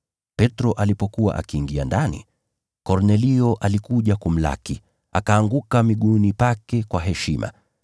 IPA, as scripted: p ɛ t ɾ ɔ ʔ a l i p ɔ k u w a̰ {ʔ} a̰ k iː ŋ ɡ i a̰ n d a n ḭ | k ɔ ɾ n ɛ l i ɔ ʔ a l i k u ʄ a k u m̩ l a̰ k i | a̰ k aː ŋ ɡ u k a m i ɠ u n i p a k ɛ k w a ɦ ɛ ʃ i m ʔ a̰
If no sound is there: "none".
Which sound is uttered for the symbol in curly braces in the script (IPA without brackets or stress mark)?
ʔ